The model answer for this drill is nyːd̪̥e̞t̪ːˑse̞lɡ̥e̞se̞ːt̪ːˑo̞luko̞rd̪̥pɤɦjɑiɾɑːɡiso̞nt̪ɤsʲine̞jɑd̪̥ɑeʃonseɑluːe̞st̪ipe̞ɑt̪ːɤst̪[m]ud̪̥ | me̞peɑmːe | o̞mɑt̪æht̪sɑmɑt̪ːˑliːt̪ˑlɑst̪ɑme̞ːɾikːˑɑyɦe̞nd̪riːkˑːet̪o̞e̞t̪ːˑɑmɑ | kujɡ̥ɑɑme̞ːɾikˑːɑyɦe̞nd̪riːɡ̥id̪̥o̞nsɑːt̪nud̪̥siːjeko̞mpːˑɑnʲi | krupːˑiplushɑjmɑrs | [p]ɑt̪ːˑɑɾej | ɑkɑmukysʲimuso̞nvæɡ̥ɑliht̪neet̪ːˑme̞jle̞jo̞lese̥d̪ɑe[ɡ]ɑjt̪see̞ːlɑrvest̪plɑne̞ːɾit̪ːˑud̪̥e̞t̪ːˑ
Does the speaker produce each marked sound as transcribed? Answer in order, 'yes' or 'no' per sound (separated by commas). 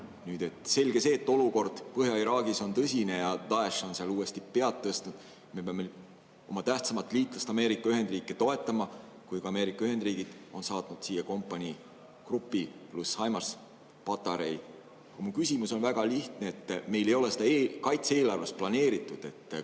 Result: no, yes, no